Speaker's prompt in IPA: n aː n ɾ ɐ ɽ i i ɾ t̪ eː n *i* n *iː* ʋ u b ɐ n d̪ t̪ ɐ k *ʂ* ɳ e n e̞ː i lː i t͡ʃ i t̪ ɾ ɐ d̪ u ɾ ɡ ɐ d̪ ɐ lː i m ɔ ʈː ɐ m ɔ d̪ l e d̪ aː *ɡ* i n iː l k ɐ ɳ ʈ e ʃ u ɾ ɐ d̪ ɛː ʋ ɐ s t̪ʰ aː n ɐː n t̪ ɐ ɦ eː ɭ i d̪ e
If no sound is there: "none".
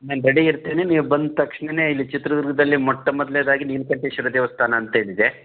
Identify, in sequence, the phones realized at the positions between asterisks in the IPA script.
e, iː, ʂ, ɡ

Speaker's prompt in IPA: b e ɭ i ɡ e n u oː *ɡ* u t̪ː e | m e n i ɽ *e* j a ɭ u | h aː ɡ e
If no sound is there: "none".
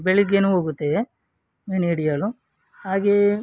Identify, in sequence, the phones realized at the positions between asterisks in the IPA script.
ɡ, i

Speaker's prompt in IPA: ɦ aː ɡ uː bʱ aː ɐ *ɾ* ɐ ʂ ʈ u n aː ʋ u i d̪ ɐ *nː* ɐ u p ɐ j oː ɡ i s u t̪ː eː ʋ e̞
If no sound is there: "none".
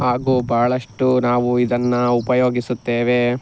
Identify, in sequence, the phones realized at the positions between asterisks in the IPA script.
ɭ, nː

